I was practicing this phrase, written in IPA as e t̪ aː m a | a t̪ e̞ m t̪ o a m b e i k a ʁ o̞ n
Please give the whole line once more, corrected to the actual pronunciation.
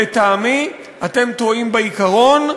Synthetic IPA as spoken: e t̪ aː m i | a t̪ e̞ m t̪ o i m b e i k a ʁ o̞ n